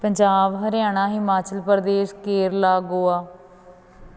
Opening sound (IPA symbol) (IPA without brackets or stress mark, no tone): p